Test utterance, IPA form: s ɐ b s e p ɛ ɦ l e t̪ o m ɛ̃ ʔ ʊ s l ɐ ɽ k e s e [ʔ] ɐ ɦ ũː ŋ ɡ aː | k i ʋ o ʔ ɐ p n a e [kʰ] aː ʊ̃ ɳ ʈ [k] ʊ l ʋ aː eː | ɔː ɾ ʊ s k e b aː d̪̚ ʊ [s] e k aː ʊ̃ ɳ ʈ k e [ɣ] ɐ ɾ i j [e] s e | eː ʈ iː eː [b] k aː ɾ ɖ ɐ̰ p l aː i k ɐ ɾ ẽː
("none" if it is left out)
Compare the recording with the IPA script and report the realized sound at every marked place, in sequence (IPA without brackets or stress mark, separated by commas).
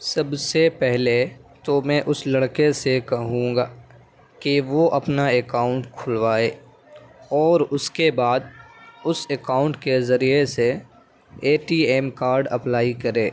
k, k, kʰ, s, z, e, m